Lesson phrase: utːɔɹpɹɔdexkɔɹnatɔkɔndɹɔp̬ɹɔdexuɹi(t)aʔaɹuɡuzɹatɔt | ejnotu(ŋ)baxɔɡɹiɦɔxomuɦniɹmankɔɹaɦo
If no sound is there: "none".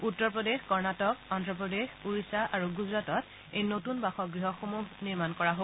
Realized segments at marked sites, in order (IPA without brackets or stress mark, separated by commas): s, n